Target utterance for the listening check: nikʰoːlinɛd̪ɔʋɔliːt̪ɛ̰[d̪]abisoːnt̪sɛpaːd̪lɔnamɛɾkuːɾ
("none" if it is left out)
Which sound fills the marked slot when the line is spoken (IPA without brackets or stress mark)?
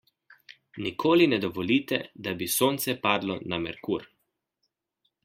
d̪